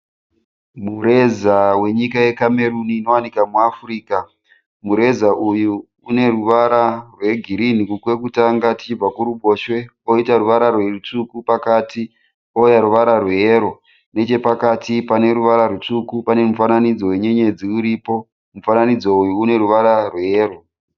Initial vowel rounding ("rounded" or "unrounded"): rounded